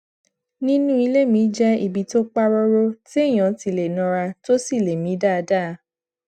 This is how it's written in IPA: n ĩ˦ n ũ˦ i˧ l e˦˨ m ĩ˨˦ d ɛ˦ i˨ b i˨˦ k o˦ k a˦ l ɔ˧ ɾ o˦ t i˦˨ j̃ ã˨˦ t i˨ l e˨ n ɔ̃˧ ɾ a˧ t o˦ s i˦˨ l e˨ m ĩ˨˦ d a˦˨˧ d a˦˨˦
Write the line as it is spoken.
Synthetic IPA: n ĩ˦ n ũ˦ i˧ l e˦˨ m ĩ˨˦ d͡ʒ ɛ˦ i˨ b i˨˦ t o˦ k͡p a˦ ɾ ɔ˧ ɾ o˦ t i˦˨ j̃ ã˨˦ t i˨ l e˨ n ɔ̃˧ ɾ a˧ t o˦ s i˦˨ l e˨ m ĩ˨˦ d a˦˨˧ d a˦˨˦